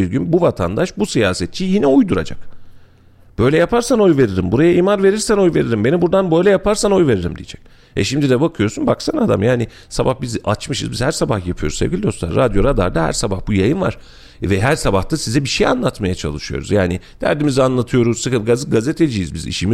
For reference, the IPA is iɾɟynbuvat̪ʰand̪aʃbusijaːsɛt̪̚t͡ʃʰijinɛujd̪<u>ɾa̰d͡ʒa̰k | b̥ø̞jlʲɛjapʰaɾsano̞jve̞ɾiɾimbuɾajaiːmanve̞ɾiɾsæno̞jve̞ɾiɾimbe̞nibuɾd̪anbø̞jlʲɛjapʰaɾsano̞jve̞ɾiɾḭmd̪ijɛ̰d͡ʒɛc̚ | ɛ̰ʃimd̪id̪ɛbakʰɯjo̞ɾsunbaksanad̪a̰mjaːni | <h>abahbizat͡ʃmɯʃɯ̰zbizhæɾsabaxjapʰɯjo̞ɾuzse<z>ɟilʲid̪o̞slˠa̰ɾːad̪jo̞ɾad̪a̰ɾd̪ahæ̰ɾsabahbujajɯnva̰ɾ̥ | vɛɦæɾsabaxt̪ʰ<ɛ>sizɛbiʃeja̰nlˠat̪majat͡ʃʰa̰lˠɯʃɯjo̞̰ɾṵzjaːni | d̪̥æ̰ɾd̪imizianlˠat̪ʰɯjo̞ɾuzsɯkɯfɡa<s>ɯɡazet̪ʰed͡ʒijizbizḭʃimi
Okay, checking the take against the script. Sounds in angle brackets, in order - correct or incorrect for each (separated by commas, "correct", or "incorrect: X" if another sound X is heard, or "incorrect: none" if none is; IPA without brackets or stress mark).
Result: correct, incorrect: s, incorrect: v, incorrect: a, incorrect: z